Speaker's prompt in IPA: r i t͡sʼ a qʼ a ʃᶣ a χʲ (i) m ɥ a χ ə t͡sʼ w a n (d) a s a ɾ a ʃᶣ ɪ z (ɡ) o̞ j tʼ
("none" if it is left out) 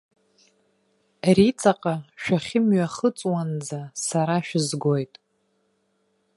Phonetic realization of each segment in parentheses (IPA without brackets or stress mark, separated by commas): ɪ, d͡z, ɡ